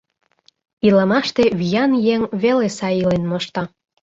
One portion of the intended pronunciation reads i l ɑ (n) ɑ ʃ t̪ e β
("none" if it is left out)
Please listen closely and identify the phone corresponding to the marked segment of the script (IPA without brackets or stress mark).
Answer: m